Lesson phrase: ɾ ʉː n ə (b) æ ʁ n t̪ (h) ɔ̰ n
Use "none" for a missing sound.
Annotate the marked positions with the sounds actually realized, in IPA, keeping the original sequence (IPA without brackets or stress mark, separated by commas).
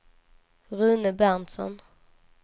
b, s